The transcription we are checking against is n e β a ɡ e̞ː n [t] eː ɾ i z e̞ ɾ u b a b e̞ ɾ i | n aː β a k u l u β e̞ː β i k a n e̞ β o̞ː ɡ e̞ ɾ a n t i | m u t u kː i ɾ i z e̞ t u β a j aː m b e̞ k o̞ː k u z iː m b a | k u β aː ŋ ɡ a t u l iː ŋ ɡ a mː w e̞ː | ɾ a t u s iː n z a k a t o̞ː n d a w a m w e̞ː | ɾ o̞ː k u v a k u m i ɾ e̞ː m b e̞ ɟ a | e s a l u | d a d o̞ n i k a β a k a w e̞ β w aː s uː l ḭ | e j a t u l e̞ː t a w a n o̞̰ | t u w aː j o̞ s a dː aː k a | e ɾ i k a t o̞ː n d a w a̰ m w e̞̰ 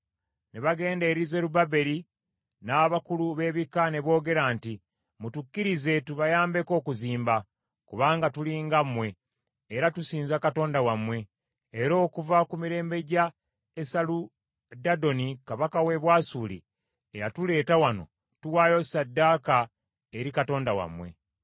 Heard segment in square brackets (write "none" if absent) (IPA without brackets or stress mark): d